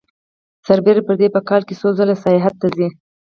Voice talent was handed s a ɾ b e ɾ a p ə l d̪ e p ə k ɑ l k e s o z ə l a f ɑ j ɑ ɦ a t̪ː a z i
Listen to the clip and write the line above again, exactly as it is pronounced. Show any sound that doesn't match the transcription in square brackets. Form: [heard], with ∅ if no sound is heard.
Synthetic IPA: s a ɾ b e ɾ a p ə [ɾ] d̪ e p ə k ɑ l k e s o z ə l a [s] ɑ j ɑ ɦ a t̪ː a z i